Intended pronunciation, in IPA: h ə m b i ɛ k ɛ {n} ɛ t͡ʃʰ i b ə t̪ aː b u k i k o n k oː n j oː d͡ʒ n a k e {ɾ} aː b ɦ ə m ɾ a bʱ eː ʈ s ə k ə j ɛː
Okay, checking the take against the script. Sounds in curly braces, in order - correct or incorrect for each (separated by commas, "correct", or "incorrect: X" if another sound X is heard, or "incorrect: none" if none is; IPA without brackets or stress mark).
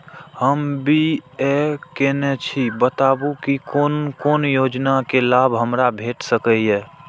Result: correct, incorrect: l